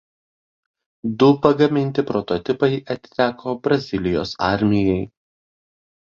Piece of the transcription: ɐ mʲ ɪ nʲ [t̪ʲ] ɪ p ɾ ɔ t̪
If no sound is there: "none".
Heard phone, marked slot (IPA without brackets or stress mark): t̪ʲ